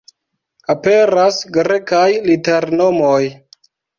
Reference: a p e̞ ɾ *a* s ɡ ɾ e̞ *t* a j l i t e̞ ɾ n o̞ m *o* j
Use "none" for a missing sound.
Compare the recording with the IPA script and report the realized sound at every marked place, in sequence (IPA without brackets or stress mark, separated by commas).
a, k, o